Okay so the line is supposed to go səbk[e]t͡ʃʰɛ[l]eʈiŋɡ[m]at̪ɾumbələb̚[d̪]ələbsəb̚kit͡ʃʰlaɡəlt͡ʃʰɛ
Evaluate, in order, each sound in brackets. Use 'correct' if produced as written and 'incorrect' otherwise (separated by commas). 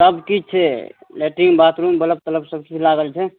incorrect, correct, incorrect, incorrect